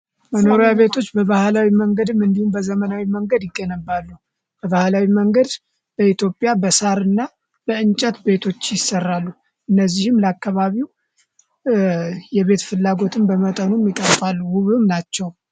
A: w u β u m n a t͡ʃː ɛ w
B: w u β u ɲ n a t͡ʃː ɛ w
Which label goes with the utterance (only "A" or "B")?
A